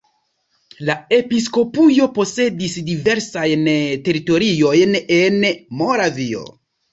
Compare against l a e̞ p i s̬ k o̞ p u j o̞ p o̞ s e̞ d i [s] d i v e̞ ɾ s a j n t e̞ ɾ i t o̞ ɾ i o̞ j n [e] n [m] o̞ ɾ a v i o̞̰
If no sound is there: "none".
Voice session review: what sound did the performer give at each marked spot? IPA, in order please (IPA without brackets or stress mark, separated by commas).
s, e, m